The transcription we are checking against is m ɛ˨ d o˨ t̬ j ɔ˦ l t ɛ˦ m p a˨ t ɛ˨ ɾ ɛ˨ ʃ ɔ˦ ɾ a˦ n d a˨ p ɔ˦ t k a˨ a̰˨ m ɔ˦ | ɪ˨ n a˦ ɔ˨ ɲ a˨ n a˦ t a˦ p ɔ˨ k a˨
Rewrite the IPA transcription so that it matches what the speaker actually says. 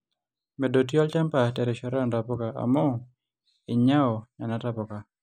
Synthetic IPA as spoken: m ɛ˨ d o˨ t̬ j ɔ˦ l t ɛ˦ m p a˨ t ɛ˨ ɾ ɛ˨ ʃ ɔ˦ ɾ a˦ n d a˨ p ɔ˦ k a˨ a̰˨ m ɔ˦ | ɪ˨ ɲ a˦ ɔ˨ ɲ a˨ n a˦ t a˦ p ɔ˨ k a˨